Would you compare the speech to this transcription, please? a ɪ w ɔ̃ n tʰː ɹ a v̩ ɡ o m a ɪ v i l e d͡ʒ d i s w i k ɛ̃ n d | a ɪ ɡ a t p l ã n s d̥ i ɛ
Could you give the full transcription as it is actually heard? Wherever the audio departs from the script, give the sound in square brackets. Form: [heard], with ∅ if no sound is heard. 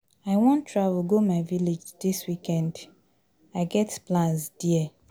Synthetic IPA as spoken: a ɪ w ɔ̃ n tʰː ɹ a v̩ ɡ o m a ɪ v i l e d͡ʒ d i s w i k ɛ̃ n d | a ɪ ɡ [ɛ] t p l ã n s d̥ i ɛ